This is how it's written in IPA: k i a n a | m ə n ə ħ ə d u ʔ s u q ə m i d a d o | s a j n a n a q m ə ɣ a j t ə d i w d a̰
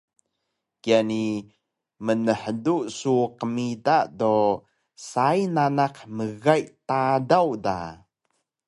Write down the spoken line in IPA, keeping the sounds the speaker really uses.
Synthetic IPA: k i a n i | m ə n ə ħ ə d u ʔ s u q ə m i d a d o | s a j n a n a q m ə ɣ a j t a d a w d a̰